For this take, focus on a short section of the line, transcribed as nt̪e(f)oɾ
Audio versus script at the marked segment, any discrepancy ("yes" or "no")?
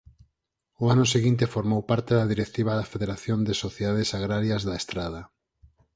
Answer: no